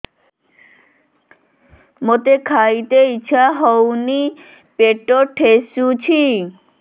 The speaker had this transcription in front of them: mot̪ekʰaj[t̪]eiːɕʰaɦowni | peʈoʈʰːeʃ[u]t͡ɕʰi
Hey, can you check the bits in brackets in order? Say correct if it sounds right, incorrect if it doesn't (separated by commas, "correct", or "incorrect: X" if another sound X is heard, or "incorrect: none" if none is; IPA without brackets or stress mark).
correct, correct